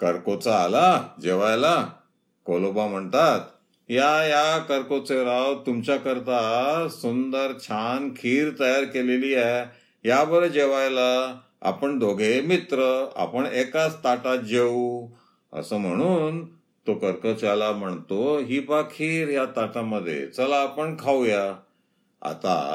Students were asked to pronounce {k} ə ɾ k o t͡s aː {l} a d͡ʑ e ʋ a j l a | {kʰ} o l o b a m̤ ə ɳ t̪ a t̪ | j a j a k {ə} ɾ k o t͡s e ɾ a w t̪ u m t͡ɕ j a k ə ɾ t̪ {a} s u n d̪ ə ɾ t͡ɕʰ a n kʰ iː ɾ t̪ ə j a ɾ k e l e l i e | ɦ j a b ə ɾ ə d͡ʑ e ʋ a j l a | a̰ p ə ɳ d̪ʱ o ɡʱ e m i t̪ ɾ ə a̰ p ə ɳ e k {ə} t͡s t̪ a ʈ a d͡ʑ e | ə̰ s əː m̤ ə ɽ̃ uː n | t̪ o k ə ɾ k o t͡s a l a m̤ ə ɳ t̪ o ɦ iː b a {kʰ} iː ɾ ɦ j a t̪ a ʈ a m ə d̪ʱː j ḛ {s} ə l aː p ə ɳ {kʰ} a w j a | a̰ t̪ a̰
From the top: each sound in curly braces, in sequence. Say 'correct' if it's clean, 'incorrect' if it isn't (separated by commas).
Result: correct, correct, incorrect, correct, correct, incorrect, correct, incorrect, correct